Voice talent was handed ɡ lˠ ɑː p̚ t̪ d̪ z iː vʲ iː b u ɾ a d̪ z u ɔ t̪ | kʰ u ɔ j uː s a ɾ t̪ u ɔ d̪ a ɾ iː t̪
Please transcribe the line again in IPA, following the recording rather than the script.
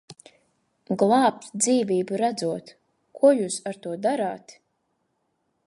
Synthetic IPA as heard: ɡ lˠ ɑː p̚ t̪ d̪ z iː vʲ iː b u ɾ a d̪ z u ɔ t̪ | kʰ u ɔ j uː s a ɾ t̪ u ɔ d̪ a ɾ aː t̪